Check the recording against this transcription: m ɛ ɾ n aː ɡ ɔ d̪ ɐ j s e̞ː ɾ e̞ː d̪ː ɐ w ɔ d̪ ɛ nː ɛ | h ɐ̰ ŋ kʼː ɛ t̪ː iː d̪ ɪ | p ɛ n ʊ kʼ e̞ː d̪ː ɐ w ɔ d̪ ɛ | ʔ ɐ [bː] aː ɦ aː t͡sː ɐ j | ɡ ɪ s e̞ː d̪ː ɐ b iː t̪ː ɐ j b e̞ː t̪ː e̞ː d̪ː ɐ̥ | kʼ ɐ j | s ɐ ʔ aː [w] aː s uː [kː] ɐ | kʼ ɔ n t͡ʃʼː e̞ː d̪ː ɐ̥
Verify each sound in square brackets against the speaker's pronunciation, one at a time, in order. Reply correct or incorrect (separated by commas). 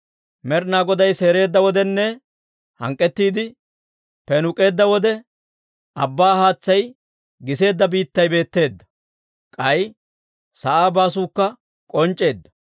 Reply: correct, incorrect, correct